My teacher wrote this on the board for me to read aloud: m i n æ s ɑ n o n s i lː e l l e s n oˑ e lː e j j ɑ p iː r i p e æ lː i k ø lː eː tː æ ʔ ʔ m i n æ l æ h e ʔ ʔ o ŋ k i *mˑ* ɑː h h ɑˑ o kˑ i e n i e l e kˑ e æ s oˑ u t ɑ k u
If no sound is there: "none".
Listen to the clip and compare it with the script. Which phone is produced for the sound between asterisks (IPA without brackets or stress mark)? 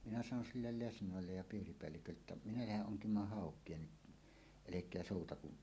mˑ